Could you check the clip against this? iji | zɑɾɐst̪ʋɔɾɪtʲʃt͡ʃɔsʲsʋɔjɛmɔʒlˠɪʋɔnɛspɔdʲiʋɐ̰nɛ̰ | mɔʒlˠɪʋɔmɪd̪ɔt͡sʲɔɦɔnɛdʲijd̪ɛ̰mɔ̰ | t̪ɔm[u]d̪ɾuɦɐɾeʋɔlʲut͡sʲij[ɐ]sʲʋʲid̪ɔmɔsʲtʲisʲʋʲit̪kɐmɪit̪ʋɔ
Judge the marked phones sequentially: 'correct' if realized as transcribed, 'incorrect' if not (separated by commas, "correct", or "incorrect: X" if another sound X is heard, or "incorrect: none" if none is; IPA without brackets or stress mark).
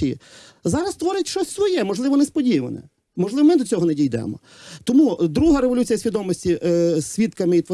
correct, correct